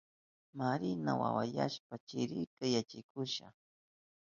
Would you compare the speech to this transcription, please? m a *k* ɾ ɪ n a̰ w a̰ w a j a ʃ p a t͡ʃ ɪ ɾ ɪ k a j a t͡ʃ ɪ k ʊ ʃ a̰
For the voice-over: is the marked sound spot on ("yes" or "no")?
no